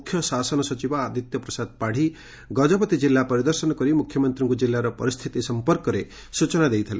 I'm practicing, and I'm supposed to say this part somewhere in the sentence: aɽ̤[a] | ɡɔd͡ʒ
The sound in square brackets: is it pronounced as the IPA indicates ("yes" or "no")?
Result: no